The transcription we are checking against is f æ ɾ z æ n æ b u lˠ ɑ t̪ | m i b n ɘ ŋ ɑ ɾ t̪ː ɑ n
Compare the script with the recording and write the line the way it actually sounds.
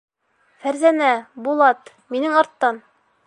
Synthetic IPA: f æ ɾ z æ n æ b u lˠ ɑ t̪ | m i n ɘ ŋ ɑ ɾ t̪ː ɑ n